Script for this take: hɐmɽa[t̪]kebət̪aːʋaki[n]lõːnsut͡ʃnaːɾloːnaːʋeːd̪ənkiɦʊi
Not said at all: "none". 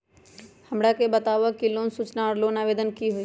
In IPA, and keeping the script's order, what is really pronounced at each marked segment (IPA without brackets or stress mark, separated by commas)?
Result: none, none